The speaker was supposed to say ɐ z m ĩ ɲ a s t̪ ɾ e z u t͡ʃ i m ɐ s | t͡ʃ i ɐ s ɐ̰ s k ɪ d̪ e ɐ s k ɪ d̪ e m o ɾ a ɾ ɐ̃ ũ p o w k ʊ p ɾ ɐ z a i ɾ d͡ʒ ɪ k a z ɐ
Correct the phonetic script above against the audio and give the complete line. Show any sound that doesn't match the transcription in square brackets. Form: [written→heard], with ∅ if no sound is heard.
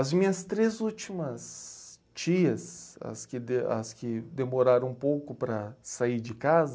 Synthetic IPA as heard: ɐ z m ĩ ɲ [a→ɐ] s t̪ ɾ e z u t͡ʃ i m ɐ s | t͡ʃ i ɐ s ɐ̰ s k ɪ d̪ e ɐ s k ɪ d̪ e m o ɾ a ɾ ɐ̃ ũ p o w k ʊ p ɾ ɐ [z→s] a i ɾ d͡ʒ ɪ k a z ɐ